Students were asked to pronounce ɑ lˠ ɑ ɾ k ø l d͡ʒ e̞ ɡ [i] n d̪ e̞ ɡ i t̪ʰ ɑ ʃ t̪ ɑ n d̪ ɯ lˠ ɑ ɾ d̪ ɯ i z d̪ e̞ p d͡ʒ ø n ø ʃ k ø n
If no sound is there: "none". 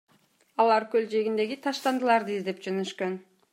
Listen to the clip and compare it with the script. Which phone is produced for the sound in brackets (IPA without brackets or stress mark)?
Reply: i